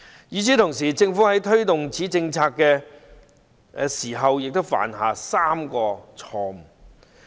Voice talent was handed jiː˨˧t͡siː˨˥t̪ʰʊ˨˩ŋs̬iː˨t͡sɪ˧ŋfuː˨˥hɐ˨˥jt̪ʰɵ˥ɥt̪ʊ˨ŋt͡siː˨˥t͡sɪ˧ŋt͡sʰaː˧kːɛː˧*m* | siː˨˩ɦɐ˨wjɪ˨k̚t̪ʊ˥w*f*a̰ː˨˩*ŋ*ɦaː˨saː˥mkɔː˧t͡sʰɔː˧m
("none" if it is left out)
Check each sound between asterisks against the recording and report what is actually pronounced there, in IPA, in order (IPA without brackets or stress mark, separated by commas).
none, f, n